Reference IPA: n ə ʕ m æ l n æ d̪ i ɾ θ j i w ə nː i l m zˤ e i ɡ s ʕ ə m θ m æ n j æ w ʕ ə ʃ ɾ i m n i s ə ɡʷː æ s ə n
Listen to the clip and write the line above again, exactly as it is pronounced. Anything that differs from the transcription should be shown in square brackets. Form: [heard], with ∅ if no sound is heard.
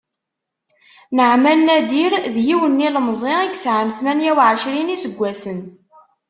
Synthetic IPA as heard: n ə ʕ m æ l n æ d̪ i ɾ [ð] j i w ə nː i l m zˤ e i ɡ s ʕ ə m θ m æ n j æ w ʕ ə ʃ ɾ i [∅] n i s ə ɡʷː æ s ə n